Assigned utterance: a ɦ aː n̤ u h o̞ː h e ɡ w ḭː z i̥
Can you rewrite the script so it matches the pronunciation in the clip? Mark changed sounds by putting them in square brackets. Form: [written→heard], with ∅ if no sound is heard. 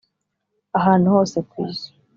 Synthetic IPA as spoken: a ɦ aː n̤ u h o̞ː [h→s] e [ɡ→k] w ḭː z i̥